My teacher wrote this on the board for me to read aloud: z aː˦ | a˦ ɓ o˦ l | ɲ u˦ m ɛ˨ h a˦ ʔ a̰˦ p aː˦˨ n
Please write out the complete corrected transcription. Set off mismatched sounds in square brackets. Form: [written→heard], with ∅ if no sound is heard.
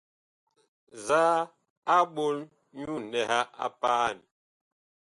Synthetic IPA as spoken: z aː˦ | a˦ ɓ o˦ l | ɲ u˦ [m→n] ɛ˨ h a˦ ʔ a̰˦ p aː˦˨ n